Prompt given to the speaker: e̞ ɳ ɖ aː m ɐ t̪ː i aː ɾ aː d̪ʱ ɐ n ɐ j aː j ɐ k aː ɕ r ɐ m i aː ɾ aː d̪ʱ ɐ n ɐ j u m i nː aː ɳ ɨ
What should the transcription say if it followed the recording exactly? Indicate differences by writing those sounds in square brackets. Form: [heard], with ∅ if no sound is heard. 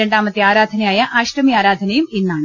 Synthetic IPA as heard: e̞ ɳ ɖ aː m ɐ t̪ː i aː ɾ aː d̪ʱ ɐ n ɐ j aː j ɐ [ʔ] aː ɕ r ɐ m i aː ɾ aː d̪ʱ ɐ n ɐ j u m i nː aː ɳ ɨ